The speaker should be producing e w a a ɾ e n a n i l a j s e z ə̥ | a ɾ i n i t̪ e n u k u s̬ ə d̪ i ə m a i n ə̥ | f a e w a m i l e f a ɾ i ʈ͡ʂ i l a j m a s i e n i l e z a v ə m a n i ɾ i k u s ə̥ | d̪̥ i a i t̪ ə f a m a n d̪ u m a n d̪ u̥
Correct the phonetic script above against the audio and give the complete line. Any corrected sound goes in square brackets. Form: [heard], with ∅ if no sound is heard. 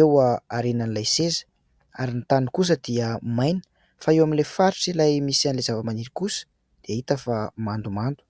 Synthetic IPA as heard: e w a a ɾ e n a n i l a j s e z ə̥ | a ɾ i n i t̪ [a] n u k u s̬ ə d̪ i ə m a [j] n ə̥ | f a e w a m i l e f a ɾ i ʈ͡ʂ i l a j m [i] s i [a] n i l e z a v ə m a n i ɾ i k u s ə̥ | d̪̥ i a i t̪ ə f a m a n d̪ u m a n d̪ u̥